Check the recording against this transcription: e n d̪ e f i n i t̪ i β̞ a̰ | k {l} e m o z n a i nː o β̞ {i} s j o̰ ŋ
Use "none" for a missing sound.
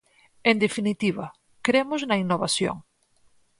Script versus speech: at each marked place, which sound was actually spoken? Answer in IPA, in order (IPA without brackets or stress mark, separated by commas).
ɾ, a